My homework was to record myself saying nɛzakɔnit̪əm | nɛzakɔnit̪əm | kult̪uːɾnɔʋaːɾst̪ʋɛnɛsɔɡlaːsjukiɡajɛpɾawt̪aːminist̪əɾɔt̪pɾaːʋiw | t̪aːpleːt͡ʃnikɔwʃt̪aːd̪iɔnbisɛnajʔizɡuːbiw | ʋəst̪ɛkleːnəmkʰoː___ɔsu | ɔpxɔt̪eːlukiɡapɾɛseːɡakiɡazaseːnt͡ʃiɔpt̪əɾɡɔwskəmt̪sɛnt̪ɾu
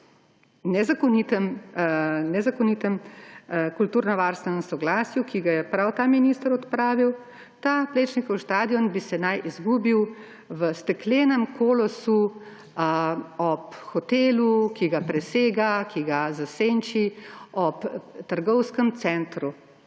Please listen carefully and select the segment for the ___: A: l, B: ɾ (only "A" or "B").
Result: A